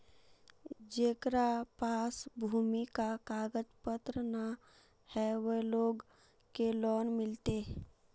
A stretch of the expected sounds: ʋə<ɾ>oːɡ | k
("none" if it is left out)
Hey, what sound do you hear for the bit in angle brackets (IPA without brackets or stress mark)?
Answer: l